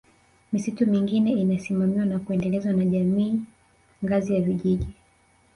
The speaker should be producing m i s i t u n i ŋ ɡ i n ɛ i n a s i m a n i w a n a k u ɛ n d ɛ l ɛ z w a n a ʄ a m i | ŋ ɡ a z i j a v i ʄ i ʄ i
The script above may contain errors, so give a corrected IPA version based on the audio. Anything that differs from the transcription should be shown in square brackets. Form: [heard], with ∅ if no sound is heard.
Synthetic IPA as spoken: m i s i t u [m] i ŋ ɡ i n ɛ i n a s i m a [m] i w a n a k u ɛ n d ɛ l ɛ z w a n a ʄ a m [iː] | ŋ ɡ a z i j a v i ʄ i ʄ i